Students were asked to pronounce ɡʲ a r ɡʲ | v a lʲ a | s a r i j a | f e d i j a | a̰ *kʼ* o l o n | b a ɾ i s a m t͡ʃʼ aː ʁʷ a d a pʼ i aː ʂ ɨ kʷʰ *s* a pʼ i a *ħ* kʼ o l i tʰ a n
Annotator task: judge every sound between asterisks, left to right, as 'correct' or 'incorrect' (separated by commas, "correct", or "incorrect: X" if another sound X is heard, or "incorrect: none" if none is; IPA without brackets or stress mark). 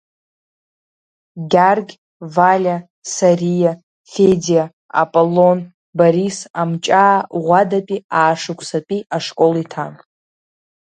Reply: incorrect: pʼ, correct, incorrect: ʂ